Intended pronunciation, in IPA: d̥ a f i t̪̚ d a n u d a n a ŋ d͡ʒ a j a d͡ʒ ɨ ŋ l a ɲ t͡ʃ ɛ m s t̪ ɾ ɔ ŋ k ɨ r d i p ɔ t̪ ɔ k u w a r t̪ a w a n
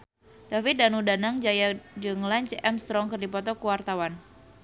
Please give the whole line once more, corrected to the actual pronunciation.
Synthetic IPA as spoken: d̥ a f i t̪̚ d a n u d a n a ŋ d͡ʒ a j a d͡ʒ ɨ ŋ l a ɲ t͡ʃ ɛ m s t̪ ɾ ɔ ŋ k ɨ r d i p ɔ t̪ ɔ k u w a r t̪ a w a n